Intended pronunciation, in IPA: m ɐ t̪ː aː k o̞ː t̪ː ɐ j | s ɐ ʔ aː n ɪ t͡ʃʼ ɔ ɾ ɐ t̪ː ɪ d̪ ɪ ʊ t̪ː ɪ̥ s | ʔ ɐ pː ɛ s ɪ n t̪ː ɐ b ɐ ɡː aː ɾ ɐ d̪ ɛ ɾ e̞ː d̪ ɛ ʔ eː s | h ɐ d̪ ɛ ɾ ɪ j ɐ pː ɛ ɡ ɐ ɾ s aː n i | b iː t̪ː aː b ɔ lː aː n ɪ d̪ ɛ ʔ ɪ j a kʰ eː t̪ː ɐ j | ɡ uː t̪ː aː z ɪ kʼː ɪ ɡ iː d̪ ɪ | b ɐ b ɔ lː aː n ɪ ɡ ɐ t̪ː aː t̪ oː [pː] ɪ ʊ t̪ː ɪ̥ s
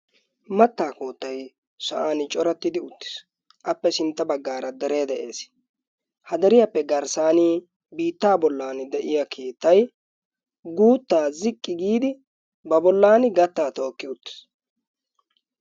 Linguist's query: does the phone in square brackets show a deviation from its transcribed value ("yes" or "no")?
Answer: yes